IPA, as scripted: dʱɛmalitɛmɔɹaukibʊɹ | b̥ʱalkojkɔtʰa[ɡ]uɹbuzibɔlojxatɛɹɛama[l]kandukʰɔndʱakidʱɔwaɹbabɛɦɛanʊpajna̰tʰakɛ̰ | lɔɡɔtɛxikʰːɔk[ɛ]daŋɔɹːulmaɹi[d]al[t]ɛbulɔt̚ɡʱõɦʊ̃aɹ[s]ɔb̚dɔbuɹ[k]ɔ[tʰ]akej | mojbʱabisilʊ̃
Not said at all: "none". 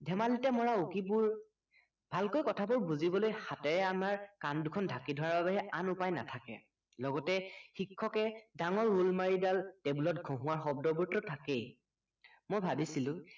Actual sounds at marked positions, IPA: b, ɹ, ɛ, d, t, x, t, tʰ

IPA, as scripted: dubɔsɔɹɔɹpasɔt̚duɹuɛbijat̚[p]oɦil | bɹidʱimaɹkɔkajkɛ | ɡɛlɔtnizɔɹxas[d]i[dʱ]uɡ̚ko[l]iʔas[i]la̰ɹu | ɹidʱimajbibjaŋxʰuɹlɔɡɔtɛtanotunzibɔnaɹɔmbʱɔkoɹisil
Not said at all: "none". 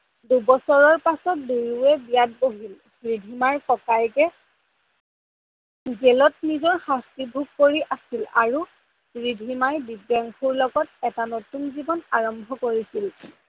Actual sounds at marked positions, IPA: b, t, bʱ, ɹ, i

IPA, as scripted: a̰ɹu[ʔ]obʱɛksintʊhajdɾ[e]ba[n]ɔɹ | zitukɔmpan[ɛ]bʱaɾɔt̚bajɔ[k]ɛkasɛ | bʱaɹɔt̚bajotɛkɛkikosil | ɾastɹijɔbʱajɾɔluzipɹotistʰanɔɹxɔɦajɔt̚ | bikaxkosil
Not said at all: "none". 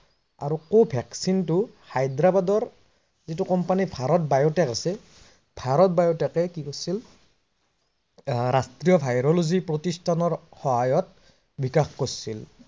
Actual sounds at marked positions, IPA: k, a, d, i, t

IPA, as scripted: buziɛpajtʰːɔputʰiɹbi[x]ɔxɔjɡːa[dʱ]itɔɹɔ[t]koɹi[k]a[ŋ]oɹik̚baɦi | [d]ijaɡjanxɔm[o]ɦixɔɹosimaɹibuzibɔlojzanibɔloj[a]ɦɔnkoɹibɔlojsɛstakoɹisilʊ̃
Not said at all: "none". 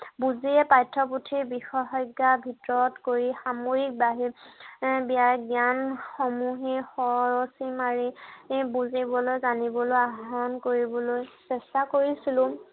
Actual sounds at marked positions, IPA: x, bʱ, t, x, m, b, u, a

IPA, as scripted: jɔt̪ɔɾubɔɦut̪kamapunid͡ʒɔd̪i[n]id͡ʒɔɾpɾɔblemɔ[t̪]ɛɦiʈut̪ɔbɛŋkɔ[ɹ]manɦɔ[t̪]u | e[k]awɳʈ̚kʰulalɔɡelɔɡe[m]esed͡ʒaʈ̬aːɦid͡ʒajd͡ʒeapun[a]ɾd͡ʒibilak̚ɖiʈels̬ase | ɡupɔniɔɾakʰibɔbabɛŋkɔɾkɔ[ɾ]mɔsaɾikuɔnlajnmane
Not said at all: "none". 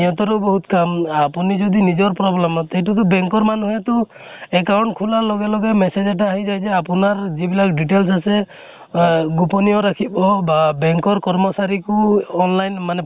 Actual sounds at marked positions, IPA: n, t̪, ɾ, t̪, k, m, a, ɾ

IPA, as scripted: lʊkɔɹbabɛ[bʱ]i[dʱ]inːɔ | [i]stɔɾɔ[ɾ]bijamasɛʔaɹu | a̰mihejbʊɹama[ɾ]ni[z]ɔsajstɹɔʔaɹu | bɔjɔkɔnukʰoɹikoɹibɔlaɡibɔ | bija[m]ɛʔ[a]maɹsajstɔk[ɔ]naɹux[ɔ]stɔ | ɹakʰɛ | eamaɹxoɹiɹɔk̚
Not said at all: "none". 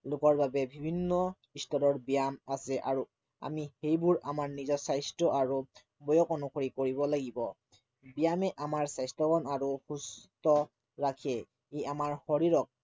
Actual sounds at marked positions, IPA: bʱ, bʱ, i, ɹ, ɹ, z, m, a, ɔ, u

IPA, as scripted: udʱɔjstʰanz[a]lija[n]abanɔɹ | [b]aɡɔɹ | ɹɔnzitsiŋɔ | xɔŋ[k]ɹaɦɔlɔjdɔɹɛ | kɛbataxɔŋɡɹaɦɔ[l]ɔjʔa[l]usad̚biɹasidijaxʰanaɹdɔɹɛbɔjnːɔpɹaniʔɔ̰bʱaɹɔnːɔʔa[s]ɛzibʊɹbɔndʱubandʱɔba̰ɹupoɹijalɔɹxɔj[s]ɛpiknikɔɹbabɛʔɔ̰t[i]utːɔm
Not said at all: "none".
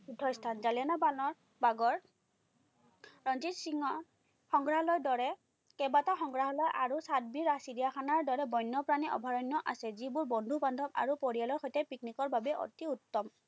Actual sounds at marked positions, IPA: a, n, b, ɡ, l, ɹ, s, t, i

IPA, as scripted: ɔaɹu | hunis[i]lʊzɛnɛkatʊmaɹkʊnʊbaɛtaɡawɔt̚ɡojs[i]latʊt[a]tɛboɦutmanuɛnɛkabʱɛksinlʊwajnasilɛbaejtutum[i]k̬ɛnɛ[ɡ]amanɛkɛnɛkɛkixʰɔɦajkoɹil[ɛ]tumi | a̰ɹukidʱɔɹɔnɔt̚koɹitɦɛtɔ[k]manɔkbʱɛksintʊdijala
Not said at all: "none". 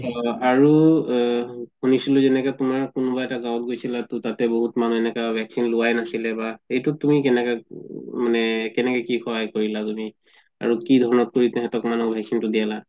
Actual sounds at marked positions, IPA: i, i, a, i, k, a, k

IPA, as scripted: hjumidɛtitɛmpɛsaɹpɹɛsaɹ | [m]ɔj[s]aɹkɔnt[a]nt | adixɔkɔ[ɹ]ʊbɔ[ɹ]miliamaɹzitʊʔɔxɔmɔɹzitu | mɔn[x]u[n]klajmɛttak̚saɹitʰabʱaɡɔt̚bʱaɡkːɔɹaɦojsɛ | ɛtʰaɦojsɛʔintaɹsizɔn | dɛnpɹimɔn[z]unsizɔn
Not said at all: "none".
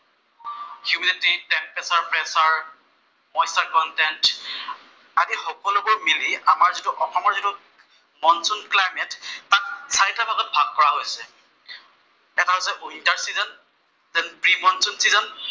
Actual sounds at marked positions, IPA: m, s, ɛ, l, ɹ, s, n, s

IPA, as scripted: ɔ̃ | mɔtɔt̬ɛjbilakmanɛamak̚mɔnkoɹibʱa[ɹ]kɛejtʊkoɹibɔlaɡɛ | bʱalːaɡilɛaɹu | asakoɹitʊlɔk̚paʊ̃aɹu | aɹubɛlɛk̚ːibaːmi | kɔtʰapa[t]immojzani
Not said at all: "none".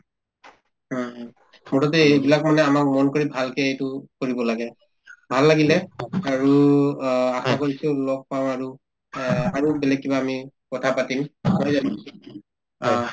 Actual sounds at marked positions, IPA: l, t

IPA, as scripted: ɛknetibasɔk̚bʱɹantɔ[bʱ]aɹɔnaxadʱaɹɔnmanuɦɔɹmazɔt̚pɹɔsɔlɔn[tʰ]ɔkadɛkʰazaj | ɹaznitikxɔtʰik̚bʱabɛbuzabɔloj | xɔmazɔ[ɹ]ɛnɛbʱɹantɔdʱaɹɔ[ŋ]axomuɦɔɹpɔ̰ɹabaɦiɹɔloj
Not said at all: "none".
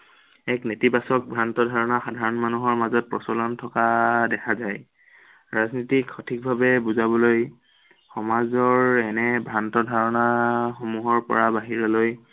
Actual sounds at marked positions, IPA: dʱ, tʰ, ɹ, n

